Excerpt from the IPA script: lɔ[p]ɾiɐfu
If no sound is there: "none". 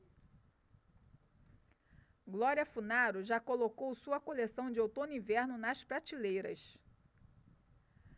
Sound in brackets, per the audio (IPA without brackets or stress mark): none